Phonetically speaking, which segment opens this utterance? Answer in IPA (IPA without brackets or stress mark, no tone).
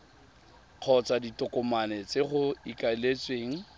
q͡χʰ